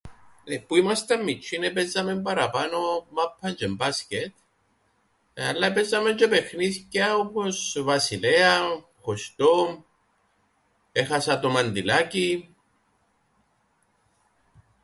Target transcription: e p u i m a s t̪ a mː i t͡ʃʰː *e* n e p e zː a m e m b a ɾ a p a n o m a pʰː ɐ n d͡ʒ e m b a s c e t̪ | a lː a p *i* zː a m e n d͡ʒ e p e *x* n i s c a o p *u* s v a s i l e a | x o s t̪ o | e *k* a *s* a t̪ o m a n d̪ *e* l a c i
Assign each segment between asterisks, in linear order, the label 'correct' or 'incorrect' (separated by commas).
incorrect, incorrect, correct, incorrect, incorrect, correct, incorrect